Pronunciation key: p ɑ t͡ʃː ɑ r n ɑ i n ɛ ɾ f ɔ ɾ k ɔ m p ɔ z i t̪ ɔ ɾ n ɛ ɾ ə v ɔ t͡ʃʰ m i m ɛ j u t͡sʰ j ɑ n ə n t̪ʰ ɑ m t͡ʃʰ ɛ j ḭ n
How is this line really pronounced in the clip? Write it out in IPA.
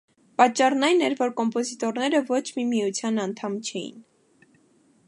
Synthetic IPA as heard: p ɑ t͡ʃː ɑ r n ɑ j n ɛ ɾ v ɔ ɾ k ɔ m p ɔ z i t̪ ɔ ɾ n ɛ ɾ ə v ɔ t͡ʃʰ m i m i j u t͡sʰ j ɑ n ɑ n t̪ʰ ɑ m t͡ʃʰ ɛ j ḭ n